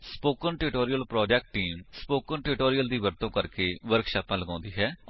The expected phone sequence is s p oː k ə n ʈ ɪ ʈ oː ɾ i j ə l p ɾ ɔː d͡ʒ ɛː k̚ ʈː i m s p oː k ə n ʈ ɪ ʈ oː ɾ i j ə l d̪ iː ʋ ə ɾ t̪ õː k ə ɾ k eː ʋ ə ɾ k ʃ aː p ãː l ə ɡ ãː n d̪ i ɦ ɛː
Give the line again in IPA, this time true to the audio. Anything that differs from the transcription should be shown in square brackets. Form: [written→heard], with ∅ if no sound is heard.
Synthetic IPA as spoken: s p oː k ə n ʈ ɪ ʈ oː ɾ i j ə l p ɾ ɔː d͡ʒ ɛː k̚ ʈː [i→iː] m s p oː k ə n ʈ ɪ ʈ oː ɾ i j ə l d̪ iː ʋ ə ɾ t̪ õː k ə ɾ k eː ʋ ə ɾ k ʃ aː p ãː l ə ɡ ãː n d̪ [i→iː] ɦ ɛː